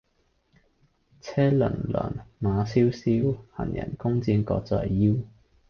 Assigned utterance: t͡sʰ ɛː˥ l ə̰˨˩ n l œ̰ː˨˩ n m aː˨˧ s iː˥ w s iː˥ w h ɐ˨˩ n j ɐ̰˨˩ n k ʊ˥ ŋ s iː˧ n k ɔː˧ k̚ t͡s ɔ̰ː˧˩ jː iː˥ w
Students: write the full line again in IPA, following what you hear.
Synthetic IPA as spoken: t͡sʰ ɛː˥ l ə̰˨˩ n l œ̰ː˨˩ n m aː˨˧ s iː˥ w s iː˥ w h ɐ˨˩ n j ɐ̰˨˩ n k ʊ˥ ŋ t͡s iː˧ n k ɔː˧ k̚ t͡s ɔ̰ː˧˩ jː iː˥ w